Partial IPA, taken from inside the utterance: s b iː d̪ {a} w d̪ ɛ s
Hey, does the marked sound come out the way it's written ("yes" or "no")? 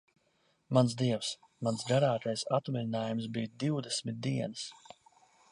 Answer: no